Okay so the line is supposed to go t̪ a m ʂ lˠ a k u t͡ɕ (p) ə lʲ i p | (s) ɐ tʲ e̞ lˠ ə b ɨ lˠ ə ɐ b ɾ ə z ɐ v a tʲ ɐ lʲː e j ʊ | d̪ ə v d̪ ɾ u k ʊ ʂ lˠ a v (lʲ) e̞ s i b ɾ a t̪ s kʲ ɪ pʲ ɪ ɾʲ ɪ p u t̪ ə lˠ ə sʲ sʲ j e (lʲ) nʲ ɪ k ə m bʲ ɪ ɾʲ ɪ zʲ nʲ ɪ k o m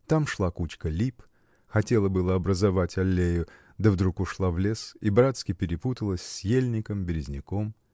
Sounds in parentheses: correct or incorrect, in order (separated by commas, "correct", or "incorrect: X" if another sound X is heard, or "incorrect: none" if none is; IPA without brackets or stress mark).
incorrect: k, incorrect: x, correct, correct